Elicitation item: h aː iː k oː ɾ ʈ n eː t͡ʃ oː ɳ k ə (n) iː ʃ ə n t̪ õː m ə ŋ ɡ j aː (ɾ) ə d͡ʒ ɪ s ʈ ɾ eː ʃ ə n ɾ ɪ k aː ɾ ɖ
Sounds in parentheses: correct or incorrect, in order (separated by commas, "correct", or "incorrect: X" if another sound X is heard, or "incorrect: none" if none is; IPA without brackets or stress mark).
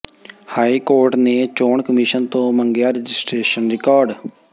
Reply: incorrect: m, correct